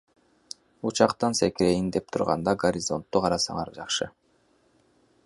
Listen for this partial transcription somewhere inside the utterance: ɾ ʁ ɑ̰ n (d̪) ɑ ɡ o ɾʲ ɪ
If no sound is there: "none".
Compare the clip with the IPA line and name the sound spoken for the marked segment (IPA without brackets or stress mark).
d̪